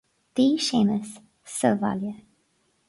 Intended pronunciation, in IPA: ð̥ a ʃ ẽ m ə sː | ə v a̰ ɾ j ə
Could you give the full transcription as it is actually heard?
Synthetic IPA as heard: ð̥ i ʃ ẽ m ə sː | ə v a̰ l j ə